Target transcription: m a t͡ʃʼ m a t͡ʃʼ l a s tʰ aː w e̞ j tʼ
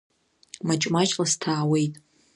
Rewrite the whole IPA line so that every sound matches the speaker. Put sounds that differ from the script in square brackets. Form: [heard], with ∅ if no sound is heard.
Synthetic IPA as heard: m a t͡ʃʼ m a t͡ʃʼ l a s tʰ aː w e̞ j tʼ